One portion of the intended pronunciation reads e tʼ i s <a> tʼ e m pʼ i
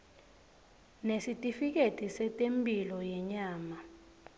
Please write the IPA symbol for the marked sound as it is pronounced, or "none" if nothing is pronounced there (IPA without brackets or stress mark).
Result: ɛ